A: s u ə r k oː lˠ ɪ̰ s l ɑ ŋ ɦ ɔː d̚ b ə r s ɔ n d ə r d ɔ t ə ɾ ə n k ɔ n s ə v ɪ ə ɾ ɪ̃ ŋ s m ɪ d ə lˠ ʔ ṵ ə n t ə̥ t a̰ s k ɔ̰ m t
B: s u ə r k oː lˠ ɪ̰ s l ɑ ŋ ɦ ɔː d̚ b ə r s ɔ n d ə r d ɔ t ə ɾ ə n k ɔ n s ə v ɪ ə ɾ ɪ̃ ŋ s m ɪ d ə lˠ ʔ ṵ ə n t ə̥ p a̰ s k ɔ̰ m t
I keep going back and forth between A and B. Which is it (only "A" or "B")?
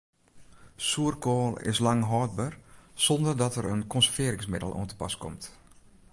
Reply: B